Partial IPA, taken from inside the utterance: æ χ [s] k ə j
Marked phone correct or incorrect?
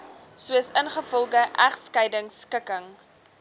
correct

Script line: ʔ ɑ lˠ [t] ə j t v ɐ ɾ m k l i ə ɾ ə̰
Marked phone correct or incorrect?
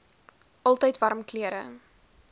correct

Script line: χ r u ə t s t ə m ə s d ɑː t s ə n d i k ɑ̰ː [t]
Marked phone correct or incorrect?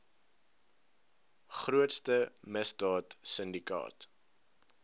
correct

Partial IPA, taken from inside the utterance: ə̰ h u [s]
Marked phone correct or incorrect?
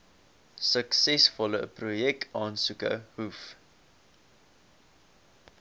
incorrect: f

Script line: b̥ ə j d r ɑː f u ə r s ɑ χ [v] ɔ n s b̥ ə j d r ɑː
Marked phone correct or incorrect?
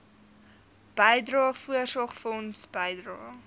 incorrect: f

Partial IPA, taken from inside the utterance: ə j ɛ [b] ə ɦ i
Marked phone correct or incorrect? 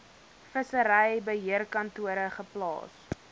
correct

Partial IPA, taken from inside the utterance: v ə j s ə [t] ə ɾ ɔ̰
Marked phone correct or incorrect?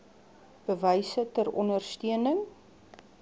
correct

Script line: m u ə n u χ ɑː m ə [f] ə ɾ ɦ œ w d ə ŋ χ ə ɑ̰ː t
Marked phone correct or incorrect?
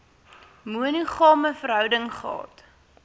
correct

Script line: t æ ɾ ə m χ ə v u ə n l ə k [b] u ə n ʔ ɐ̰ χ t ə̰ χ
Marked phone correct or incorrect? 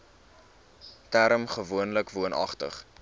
incorrect: v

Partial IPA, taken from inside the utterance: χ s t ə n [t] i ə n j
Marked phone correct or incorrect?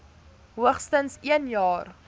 incorrect: s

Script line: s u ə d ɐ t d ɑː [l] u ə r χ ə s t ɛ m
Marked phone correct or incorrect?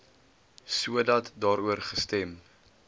incorrect: ɾ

